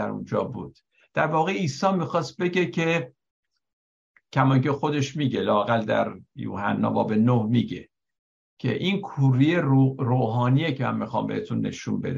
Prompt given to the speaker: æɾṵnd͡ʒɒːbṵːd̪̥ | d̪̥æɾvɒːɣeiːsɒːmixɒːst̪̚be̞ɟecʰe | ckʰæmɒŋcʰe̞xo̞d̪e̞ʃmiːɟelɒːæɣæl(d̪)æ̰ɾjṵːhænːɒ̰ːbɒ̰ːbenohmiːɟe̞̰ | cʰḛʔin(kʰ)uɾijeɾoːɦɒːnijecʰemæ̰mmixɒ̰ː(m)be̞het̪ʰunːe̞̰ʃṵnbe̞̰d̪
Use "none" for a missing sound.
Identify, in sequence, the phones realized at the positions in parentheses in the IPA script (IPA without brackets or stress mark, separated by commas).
d̪, kʰ, m